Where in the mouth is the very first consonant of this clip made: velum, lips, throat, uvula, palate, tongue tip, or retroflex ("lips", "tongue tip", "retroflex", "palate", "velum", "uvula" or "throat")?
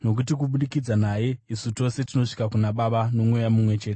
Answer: tongue tip